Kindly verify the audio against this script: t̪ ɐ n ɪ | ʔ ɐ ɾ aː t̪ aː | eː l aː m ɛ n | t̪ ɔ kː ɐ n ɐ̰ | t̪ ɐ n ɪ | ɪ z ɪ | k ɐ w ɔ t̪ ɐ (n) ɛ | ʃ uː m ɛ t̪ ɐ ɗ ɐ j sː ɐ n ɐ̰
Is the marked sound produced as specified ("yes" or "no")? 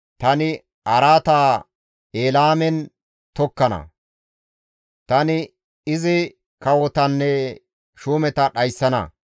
no